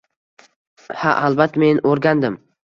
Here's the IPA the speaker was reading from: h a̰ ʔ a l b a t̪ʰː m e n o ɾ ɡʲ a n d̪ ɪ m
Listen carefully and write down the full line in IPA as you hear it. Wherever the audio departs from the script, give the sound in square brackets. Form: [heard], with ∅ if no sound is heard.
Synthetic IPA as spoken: h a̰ ʔ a l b a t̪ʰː m e n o ɾ ɡʲ a n d̪ ɪ m